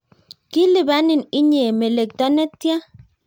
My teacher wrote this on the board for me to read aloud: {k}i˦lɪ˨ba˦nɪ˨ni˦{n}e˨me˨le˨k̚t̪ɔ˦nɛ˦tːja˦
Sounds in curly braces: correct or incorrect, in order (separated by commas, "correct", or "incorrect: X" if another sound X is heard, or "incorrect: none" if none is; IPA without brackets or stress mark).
correct, incorrect: ɲ